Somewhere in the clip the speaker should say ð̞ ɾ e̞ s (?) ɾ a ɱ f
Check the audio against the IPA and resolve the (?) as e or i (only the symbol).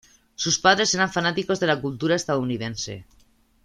e